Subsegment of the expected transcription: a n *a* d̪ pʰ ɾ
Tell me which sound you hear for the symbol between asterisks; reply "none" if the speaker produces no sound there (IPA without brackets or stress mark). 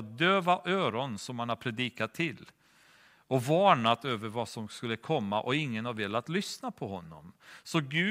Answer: a